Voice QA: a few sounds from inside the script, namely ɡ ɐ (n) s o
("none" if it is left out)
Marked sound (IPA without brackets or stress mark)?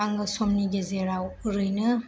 none